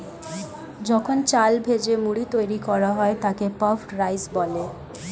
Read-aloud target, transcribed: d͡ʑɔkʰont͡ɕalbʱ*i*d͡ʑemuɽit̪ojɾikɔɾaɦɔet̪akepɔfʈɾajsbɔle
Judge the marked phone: incorrect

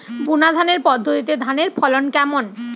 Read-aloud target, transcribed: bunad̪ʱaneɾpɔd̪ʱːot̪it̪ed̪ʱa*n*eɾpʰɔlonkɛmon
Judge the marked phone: correct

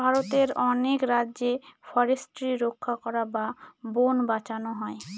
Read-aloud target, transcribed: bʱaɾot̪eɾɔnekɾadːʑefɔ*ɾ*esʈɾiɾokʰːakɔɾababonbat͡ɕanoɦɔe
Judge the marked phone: correct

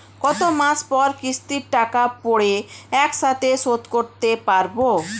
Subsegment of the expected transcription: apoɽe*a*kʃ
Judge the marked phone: incorrect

